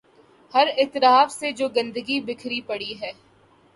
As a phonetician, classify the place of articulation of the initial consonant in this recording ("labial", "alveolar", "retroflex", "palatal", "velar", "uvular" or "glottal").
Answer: glottal